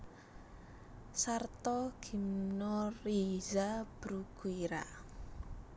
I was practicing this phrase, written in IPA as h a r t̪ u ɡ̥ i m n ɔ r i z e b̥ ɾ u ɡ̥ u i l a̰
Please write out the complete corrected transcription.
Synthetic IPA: s a r t̪ ɔ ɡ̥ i m n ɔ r i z a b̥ ɾ u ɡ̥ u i ɾ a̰